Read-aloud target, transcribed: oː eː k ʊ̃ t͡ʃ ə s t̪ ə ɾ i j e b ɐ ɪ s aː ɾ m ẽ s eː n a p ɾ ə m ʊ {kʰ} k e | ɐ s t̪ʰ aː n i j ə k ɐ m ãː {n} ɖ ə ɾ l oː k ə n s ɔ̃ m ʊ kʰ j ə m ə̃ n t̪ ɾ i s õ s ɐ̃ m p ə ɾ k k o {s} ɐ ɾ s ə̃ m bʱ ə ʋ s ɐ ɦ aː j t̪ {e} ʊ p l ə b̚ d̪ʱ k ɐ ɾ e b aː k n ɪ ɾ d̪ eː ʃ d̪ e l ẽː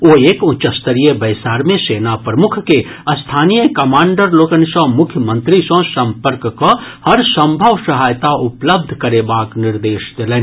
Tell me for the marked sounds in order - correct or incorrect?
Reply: correct, incorrect: ɳ, incorrect: h, incorrect: a

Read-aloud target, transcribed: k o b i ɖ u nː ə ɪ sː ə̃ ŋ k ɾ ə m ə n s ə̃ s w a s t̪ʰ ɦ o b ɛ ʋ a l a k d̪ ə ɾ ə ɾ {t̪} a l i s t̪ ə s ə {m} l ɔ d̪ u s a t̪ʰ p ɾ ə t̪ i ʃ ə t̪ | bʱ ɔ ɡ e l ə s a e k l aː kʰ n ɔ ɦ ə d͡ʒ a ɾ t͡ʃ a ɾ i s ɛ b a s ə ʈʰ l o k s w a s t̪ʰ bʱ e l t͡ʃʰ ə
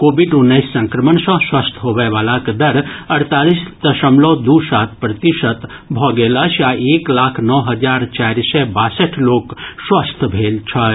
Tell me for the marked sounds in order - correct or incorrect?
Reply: correct, correct

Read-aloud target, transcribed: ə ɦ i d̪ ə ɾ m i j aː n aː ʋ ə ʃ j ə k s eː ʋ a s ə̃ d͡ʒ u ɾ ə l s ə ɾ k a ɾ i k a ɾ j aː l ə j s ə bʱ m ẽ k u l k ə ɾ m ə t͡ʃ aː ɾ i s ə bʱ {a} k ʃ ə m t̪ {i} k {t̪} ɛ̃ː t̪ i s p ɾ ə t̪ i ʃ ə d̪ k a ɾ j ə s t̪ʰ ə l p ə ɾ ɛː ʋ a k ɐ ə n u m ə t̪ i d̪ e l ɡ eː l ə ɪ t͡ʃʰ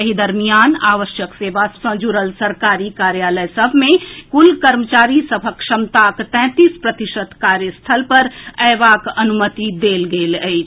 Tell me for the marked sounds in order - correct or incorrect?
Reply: incorrect: ə, incorrect: a, correct

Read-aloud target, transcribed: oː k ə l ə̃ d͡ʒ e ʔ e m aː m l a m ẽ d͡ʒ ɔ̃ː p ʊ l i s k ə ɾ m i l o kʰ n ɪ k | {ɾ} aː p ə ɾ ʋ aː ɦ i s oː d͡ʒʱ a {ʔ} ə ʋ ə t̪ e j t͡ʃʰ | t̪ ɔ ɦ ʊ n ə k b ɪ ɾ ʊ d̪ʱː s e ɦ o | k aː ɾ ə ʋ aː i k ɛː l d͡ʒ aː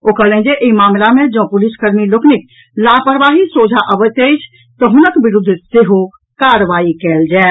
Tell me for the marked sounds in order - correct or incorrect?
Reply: incorrect: l, correct

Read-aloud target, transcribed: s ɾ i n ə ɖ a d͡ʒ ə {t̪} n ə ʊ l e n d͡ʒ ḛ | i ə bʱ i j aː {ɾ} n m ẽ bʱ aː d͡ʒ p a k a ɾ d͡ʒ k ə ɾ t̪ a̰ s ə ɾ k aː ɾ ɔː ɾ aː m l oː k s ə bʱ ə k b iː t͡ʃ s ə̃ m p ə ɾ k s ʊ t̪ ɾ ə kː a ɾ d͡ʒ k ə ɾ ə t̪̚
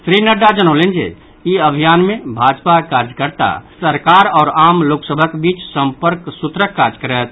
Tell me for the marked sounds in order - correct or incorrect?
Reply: incorrect: none, incorrect: none

